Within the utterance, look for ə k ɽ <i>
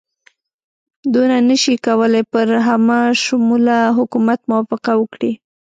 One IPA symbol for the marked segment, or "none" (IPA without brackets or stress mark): i